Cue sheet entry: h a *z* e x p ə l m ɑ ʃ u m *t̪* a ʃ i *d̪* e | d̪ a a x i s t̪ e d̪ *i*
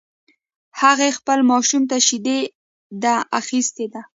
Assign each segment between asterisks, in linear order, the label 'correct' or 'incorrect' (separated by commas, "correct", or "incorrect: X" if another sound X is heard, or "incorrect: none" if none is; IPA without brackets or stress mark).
incorrect: ɣ, correct, correct, incorrect: a